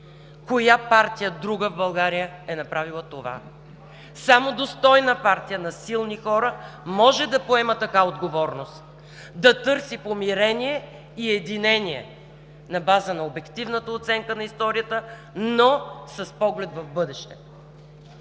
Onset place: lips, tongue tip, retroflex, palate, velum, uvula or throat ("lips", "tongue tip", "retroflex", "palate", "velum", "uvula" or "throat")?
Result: velum